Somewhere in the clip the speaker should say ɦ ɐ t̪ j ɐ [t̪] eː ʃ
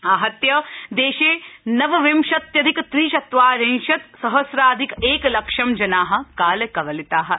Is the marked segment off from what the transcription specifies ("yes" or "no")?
yes